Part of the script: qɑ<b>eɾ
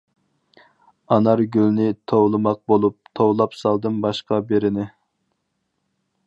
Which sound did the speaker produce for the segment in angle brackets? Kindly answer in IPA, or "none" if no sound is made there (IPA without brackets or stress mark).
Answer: b